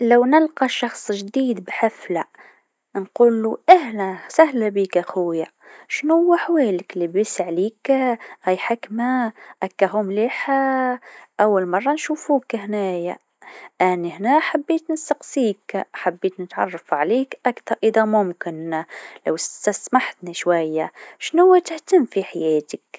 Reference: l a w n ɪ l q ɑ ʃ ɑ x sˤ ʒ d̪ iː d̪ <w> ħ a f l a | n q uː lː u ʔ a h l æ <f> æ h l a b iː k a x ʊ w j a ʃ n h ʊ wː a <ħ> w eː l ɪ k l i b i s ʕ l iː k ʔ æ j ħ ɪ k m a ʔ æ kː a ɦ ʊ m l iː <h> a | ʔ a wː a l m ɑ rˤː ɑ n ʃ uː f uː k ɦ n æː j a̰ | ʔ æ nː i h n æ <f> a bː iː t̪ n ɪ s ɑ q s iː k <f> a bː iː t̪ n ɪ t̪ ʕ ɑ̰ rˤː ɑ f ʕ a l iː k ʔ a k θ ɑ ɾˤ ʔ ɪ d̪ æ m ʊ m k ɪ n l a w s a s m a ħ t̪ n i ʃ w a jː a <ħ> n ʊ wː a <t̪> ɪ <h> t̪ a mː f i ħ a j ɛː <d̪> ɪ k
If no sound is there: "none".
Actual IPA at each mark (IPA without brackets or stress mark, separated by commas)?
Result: b, s, ħ, ħ, ħ, ħ, ʃ, t̪, h, t̪